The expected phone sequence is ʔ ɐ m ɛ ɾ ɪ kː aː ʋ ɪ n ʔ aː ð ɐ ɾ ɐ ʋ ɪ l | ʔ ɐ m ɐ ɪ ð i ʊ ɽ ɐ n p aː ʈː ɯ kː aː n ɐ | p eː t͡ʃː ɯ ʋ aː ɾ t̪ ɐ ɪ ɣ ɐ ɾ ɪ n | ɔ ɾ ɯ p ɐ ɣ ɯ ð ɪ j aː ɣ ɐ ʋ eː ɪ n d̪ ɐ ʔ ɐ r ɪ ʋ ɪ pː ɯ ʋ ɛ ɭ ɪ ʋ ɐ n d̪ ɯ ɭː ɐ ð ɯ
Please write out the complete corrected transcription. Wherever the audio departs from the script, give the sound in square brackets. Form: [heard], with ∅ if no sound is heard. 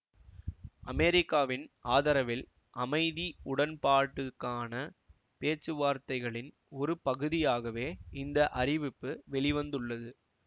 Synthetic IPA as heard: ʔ ɐ m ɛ ɾ ɪ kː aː ʋ ɪ n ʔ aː ð ɐ ɾ ɐ ʋ ɪ l | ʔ ɐ m ɐ ɪ ð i ʊ ɽ ɐ n p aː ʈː ɯ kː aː n ɐ | p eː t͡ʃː ɯ ʋ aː ɾ t̪ ɐ ɪ ɣ ɐ [ɭ] ɪ n | ɔ ɾ ɯ p ɐ ɣ ɯ ð ɪ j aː ɣ ɐ ʋ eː ɪ n d̪ ɐ ʔ ɐ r ɪ ʋ ɪ pː ɯ ʋ ɛ ɭ ɪ ʋ ɐ n d̪ ɯ ɭː ɐ ð ɯ